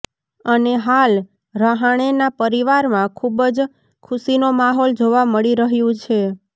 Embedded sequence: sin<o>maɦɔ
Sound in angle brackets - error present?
no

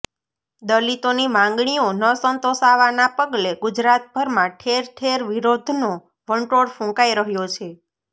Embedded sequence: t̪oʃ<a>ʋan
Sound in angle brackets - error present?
no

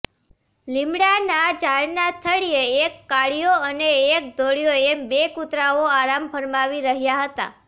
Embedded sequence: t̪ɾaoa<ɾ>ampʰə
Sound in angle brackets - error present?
no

